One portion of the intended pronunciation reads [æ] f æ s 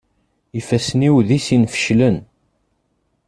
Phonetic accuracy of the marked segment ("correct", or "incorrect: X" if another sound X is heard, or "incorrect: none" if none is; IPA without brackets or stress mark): incorrect: i